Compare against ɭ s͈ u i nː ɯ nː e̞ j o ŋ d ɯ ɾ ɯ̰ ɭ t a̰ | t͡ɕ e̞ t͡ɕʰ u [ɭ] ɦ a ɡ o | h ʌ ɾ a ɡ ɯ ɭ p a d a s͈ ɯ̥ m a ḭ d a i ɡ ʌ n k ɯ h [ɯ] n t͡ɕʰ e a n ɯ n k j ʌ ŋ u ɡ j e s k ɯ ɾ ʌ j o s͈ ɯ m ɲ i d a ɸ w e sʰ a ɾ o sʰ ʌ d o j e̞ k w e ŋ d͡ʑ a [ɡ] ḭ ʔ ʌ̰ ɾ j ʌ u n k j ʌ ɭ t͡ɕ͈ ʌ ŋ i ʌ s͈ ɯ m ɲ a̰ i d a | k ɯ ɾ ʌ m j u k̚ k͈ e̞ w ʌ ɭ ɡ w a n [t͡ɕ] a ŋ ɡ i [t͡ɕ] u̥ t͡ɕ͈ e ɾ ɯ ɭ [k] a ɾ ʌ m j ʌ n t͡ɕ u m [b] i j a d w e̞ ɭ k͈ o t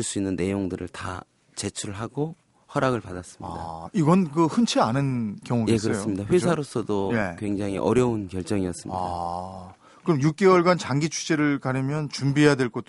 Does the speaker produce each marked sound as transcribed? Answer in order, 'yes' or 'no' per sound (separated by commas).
yes, yes, no, yes, no, yes, yes